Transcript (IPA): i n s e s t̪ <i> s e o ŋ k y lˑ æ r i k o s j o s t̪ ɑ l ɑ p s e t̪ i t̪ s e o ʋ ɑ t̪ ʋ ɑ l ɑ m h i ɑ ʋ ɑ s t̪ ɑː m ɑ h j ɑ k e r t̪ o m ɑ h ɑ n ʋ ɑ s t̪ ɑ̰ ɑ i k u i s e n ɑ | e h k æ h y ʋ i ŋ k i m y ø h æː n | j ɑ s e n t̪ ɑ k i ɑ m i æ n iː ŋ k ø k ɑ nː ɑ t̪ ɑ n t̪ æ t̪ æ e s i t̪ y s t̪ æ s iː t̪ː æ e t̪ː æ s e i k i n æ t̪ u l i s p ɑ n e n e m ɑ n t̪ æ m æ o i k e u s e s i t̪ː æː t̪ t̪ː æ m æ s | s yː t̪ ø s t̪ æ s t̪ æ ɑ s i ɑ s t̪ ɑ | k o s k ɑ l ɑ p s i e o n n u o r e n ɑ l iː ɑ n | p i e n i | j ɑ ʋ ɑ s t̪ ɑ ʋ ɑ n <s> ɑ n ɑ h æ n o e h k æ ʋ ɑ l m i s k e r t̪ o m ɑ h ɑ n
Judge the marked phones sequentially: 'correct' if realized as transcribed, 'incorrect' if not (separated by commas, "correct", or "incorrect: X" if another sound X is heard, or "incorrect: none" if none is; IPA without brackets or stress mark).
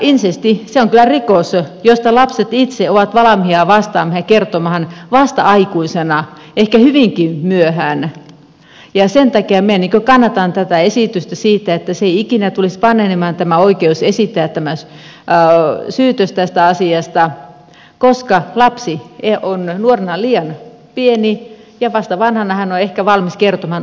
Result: correct, incorrect: h